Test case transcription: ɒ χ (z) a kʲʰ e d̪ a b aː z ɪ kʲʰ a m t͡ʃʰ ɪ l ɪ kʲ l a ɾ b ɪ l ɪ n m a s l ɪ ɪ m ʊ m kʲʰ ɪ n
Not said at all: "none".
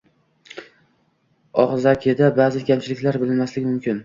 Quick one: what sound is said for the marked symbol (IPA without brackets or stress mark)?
z